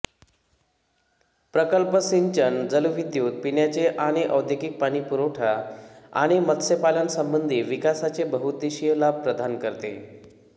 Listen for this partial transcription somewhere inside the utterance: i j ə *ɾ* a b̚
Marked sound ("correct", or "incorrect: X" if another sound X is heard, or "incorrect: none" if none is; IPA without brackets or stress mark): incorrect: l